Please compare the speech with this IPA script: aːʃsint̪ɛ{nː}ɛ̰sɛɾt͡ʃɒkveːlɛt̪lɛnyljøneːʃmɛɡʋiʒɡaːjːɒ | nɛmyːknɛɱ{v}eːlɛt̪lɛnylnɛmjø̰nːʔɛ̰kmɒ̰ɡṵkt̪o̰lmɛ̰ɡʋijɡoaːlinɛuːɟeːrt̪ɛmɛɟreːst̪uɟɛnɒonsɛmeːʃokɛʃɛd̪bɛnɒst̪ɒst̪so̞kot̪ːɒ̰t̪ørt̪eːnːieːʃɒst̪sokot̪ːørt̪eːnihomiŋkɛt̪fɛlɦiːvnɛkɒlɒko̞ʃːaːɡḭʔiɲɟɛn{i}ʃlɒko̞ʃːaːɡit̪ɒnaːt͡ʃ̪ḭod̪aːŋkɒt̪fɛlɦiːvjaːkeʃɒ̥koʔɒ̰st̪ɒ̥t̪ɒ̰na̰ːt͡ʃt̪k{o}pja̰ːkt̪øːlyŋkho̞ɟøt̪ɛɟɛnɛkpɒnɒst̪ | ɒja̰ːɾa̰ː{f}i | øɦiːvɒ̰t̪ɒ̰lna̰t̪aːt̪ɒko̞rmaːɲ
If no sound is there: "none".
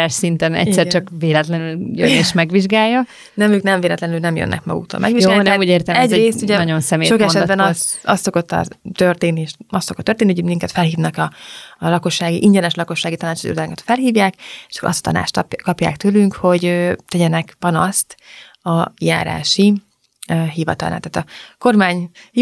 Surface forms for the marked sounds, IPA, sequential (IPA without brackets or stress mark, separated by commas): n, v, ɛ, ɒ, ʃ